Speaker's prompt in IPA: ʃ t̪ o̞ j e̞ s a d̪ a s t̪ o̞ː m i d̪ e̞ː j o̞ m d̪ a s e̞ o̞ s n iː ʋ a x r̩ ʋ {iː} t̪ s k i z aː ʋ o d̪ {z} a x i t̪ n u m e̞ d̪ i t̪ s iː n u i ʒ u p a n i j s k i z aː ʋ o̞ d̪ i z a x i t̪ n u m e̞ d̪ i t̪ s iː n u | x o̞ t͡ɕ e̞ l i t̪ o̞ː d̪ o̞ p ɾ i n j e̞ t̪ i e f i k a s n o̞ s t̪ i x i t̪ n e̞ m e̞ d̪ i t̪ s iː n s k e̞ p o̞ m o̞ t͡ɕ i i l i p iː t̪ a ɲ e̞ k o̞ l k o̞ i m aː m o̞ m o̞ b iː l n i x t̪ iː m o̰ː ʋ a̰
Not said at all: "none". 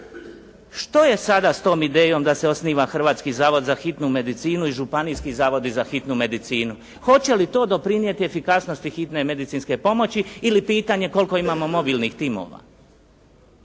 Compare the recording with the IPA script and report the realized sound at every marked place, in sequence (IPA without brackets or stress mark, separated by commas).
aː, z